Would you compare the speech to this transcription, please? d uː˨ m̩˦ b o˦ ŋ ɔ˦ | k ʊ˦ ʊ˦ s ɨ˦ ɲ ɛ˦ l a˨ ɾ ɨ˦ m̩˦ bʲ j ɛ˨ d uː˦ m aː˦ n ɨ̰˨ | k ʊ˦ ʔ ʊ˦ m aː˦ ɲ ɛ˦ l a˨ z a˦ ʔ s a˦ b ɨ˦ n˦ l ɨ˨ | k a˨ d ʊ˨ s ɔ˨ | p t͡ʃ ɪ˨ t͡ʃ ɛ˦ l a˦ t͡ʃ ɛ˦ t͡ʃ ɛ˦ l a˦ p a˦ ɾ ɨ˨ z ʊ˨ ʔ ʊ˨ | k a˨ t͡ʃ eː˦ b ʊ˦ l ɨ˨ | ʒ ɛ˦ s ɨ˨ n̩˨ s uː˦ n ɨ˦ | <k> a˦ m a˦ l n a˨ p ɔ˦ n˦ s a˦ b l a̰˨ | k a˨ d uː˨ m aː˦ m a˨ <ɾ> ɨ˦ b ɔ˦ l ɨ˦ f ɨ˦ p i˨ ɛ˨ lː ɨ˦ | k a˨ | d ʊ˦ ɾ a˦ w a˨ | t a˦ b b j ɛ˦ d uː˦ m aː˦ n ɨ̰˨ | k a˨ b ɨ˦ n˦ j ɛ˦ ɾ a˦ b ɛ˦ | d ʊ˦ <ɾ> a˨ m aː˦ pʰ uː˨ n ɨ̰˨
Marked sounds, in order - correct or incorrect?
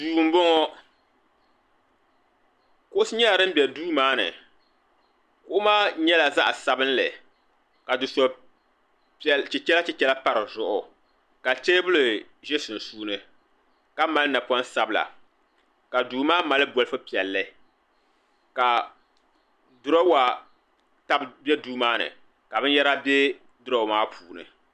correct, incorrect: l, correct

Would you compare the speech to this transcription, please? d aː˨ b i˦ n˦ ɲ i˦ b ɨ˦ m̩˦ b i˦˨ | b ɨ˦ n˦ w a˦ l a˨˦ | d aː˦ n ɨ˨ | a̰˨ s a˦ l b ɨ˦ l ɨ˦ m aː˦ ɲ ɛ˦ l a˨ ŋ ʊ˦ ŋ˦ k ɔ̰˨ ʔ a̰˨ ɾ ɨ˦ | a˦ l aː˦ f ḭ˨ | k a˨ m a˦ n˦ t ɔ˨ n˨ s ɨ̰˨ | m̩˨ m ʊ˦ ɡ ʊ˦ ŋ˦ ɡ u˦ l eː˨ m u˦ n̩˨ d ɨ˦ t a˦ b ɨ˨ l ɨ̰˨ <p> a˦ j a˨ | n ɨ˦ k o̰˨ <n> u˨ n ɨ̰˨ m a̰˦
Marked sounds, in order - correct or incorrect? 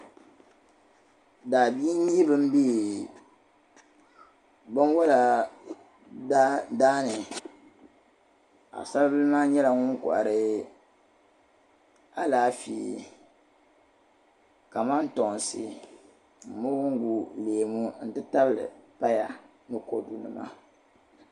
correct, incorrect: d

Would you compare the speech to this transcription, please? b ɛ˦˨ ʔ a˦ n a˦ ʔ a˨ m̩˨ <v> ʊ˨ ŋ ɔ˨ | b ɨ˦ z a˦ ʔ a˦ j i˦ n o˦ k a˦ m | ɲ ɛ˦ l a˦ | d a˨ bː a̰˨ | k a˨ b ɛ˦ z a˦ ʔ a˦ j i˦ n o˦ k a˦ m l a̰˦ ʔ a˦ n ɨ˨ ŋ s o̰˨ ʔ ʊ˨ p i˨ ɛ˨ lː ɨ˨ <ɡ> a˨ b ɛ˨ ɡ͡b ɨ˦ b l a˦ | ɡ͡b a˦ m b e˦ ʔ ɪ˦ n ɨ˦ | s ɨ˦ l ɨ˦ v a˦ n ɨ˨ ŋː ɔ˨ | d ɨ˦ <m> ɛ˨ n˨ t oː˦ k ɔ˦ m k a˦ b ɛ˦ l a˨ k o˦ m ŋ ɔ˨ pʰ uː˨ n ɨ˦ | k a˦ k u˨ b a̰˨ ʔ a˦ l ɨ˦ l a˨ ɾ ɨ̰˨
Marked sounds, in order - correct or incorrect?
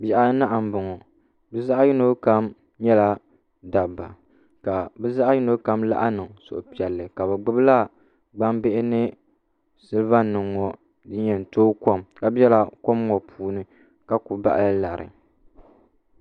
incorrect: b, incorrect: k, incorrect: ɲ

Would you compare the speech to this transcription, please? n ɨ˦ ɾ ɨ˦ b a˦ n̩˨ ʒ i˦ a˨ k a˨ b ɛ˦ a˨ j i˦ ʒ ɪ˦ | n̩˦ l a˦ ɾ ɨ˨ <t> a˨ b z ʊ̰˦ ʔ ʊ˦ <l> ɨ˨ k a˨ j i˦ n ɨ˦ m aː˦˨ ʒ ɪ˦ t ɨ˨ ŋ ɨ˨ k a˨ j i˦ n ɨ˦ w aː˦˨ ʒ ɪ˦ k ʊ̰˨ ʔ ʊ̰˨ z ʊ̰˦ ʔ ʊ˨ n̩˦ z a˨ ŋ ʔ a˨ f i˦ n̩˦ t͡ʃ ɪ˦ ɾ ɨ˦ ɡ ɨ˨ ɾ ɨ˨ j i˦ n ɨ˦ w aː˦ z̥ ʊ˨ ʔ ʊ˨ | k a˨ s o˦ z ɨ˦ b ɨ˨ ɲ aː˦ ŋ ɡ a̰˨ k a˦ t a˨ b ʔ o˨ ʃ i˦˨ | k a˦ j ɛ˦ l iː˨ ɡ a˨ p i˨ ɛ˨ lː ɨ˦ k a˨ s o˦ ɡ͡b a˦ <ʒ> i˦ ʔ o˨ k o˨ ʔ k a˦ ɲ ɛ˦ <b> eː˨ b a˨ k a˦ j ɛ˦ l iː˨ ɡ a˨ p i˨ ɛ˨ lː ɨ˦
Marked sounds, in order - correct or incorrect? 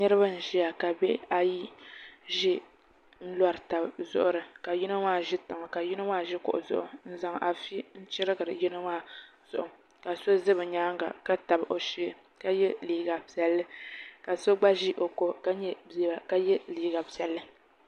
correct, incorrect: ɾ, correct, correct

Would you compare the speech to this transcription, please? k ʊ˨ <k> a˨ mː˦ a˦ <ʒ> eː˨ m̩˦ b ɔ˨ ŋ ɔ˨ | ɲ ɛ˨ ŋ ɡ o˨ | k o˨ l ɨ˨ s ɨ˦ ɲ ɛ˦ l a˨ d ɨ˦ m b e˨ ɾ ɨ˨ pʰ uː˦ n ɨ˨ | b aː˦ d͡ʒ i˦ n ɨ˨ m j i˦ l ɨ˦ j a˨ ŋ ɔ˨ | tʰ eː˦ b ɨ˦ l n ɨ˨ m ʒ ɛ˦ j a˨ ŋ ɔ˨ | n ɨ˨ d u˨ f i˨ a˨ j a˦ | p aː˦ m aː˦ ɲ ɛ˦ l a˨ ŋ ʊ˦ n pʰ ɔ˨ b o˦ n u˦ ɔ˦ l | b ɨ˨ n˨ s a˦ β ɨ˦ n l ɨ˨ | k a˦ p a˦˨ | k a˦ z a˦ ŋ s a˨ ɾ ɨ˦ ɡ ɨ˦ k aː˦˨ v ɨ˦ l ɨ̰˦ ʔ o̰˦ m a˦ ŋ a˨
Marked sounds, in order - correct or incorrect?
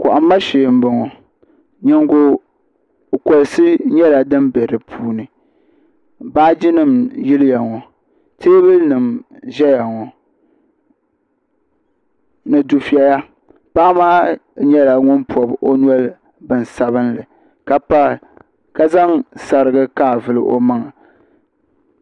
incorrect: ʔ, incorrect: ʃ

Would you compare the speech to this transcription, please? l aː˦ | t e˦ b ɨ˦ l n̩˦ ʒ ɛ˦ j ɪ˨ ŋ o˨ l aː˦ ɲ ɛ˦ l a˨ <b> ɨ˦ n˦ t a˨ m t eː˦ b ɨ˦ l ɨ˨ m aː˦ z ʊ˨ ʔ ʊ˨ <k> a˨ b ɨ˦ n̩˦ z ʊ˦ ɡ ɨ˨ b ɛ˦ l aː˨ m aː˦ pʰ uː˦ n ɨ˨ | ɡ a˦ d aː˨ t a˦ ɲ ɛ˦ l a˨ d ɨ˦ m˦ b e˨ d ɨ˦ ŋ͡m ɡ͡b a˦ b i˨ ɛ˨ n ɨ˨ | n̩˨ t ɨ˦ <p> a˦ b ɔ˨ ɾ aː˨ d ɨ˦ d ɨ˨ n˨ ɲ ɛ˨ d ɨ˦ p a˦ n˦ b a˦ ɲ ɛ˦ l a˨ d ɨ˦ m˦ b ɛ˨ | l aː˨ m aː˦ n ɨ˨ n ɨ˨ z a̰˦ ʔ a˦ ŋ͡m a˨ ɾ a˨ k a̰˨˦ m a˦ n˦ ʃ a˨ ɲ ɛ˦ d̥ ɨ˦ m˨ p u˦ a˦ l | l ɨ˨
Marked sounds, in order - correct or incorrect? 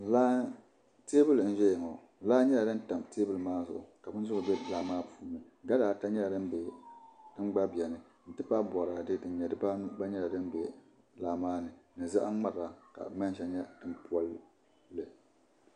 incorrect: d, correct, correct

